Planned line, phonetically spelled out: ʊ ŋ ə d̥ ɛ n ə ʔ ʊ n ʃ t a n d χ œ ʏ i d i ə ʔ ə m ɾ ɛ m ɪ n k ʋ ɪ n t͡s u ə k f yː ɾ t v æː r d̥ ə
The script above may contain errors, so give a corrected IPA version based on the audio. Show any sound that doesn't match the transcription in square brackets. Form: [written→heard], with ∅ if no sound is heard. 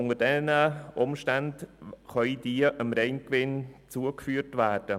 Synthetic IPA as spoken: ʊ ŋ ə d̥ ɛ n ə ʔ ʊ [n→m] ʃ t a n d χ œ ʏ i d i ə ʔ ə m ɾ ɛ [m→∅] ɪ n k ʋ ɪ n t͡s u ə k f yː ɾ t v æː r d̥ ə